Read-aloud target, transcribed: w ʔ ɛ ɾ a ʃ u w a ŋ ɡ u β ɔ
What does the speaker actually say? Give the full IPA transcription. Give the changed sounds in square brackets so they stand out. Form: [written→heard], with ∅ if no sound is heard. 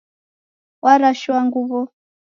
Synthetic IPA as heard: w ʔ [ɛ→a] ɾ a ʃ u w a ŋ ɡ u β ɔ